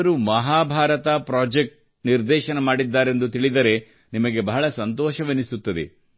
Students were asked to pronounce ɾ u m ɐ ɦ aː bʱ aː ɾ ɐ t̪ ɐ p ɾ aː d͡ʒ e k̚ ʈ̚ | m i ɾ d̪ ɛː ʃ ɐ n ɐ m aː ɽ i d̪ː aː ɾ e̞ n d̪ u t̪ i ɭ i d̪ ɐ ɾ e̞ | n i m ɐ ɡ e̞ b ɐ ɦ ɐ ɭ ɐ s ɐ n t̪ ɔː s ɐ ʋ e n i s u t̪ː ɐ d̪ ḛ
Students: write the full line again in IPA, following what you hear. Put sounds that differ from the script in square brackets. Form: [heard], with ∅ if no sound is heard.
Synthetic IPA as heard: ɾ u m ɐ ɦ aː bʱ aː ɾ ɐ t̪ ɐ p ɾ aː d͡ʒ e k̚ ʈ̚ | [n] i ɾ d̪ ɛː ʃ ɐ n ɐ m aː ɽ i d̪ː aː ɾ e̞ n d̪ u t̪ i ɭ i d̪ ɐ ɾ e̞ | n i m ɐ ɡ e̞ b ɐ ɦ ɐ ɭ ɐ s ɐ n t̪ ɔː [ʃ] ɐ ʋ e n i s u t̪ː ɐ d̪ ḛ